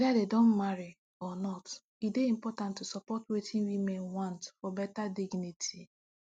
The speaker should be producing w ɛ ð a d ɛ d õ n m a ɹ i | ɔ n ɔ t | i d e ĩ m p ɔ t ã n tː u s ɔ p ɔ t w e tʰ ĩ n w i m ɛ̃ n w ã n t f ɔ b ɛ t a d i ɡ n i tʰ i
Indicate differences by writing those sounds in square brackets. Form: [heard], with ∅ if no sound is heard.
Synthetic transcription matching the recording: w ɛ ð a d [e] d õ n m a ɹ i | ɔ n ɔ t | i d e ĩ m p ɔ t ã n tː u s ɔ p ɔ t w e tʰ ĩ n w i m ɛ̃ n w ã n t f ɔ b ɛ t a d i ɡ n i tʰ i